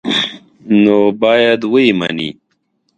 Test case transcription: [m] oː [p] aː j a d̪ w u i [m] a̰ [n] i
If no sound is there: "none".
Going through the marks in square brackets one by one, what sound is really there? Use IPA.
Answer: n, b, m, n

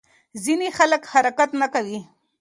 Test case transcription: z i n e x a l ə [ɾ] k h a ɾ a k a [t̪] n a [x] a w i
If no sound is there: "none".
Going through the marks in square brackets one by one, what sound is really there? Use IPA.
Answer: none, t̪, k

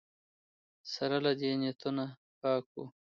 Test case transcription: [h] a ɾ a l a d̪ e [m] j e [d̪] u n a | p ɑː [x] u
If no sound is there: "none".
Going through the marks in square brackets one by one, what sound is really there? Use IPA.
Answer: s, n, t̪, k

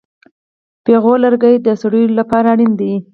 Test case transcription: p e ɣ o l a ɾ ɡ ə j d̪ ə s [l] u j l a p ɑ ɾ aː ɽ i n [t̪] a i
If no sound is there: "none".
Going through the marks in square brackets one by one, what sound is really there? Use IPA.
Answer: ɽ, d̪

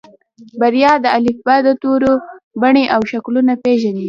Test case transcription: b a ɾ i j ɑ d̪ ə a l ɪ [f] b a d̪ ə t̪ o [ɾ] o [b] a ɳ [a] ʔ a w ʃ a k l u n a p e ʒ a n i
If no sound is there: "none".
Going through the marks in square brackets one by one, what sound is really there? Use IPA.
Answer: f, ɾ, b, e

